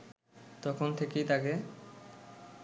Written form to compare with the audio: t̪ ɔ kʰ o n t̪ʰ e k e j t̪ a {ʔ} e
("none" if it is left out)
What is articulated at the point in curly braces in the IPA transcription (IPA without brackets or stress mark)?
k